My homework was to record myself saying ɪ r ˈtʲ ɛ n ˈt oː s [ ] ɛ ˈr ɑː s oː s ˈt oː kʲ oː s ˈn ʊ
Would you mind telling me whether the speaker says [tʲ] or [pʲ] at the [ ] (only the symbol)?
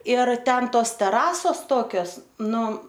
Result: tʲ